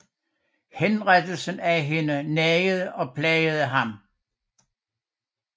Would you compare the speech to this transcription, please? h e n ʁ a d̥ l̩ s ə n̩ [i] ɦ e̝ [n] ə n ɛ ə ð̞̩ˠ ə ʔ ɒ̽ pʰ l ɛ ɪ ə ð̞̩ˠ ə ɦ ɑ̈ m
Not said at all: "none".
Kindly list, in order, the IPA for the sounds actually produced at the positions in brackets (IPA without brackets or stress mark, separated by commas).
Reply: æ, n